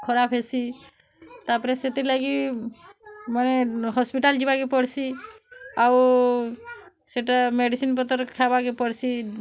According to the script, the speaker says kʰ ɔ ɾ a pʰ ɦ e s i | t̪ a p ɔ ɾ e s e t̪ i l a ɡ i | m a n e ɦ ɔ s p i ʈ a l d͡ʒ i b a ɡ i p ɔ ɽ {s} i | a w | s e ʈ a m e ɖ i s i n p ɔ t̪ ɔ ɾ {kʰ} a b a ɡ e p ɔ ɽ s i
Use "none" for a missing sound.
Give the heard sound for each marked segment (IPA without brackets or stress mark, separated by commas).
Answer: s, kʰ